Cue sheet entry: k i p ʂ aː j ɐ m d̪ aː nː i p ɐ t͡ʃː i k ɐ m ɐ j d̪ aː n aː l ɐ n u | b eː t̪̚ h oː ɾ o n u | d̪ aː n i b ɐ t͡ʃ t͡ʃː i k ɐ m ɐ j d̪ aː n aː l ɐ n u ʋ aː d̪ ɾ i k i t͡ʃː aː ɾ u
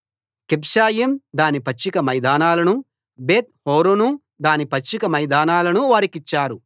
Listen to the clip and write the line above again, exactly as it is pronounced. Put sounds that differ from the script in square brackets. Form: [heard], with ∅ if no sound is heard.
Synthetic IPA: k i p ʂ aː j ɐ m d̪ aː [n] i p ɐ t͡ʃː i k ɐ m ɐ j d̪ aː n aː l ɐ n u | b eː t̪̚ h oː ɾ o n u | d̪ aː n i [p] ɐ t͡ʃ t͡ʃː i k ɐ m ɐ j d̪ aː n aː l ɐ n u ʋ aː [∅] ɾ i k i t͡ʃː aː ɾ u

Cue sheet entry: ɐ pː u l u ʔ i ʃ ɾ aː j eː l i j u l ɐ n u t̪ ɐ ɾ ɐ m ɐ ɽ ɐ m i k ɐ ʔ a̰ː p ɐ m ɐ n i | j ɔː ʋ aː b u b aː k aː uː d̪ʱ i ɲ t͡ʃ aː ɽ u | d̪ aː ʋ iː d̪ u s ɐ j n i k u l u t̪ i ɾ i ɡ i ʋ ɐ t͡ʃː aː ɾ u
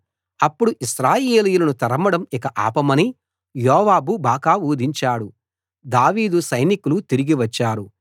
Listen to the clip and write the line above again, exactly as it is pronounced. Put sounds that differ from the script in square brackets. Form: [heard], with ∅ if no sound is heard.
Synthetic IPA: ɐ pː u [ɽ] u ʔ i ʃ ɾ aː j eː l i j u l ɐ n u t̪ ɐ ɾ ɐ m ɐ ɽ ɐ m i k ɐ ʔ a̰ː p ɐ m ɐ n i | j ɔː ʋ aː b u b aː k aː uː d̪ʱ i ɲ t͡ʃ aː ɽ u | d̪ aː ʋ iː d̪ u s ɐ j n i k u l u t̪ i ɾ i ɡ i ʋ ɐ t͡ʃː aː ɾ u

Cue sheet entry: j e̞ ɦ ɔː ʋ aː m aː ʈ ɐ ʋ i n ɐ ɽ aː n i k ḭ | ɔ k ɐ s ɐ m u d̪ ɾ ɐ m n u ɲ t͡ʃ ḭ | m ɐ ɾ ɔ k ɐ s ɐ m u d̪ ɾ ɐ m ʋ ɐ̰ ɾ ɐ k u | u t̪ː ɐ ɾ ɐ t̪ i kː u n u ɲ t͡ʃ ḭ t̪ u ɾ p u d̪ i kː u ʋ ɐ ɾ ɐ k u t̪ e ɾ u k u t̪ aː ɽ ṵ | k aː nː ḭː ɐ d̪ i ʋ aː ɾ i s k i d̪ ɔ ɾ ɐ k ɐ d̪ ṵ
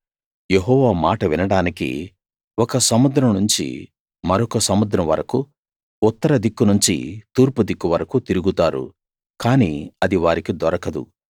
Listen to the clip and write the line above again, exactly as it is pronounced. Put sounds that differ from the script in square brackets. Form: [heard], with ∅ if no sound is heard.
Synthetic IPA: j e̞ ɦ ɔː ʋ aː m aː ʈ ɐ ʋ i n ɐ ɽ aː n i k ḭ | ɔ k ɐ s ɐ m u d̪ ɾ ɐ m n u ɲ t͡ʃ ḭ | m ɐ ɾ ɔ k ɐ s ɐ m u d̪ ɾ ɐ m ʋ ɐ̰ ɾ ɐ k u | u t̪ː ɐ ɾ ɐ [d̪] i kː u n u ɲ t͡ʃ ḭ t̪ [uː] ɾ p u d̪ i kː u ʋ ɐ ɾ ɐ k u t̪ [i] ɾ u [ɡ] u t̪ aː [ɾ] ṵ | k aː [n] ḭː ɐ d̪ i ʋ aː ɾ i [∅] k i d̪ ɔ ɾ ɐ k ɐ d̪ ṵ

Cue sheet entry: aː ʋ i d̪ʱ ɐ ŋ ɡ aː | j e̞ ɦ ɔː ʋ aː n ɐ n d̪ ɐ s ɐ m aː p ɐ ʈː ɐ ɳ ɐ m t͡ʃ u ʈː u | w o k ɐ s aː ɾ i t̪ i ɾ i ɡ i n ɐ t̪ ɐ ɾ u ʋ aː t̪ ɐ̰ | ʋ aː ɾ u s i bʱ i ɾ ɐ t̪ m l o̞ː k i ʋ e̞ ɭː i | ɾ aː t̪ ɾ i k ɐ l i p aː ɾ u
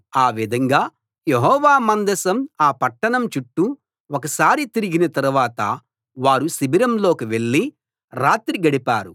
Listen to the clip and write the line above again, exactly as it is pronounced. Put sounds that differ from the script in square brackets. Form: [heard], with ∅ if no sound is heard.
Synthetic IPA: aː ʋ i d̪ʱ ɐ ŋ ɡ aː | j e̞ ɦ ɔː ʋ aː [m] ɐ n d̪ ɐ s ɐ m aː p ɐ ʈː ɐ ɳ ɐ m t͡ʃ u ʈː u | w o k ɐ s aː ɾ i t̪ i ɾ i ɡ i n ɐ t̪ ɐ ɾ u ʋ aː t̪ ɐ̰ | ʋ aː ɾ u s i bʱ i ɾ ɐ [∅] m l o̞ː k i ʋ e̞ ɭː i | ɾ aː t̪ ɾ i [ɡ] ɐ [ɽ] i p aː ɾ u

